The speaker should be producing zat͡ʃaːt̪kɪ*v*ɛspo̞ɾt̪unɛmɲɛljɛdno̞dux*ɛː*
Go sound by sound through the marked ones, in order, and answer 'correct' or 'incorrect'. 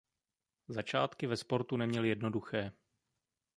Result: correct, correct

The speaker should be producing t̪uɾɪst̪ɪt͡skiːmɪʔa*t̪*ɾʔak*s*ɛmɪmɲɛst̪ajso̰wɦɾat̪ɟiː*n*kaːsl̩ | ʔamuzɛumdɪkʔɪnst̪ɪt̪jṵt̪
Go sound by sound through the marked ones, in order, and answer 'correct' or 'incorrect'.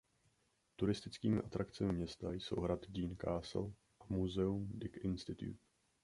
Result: correct, incorrect: t͡s, correct

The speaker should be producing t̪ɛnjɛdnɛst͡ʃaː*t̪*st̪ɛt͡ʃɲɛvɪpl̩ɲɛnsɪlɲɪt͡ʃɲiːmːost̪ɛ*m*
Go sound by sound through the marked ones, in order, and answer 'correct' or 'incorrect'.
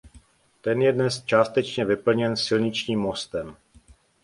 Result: incorrect: none, correct

